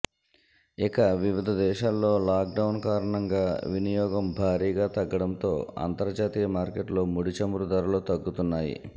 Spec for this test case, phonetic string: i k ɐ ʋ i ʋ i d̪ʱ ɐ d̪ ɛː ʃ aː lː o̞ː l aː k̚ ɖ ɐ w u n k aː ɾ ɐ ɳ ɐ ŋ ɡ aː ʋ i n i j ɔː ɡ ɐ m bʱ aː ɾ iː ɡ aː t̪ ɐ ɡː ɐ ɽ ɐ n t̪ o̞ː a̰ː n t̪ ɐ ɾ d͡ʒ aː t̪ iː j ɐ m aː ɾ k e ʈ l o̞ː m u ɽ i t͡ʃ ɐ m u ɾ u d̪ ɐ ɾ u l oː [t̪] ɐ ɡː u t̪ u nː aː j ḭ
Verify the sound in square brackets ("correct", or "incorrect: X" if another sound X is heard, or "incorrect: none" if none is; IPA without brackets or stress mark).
correct